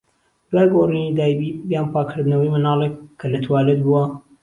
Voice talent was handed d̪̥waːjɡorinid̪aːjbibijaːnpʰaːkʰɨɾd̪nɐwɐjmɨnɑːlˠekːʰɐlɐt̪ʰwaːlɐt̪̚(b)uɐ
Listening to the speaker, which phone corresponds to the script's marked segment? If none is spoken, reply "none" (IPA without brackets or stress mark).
b